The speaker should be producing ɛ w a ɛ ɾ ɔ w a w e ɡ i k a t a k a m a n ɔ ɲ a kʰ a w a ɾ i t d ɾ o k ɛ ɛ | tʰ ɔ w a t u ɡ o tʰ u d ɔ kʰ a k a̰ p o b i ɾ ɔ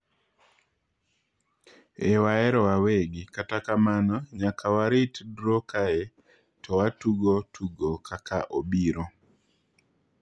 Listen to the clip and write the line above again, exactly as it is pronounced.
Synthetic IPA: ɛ w a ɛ ɾ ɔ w a w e ɡ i k a t a k a m a n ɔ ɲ a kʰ a w a ɾ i t d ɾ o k a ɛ | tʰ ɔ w a t u ɡ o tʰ u ɡ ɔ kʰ a k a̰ ʔ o b i ɾ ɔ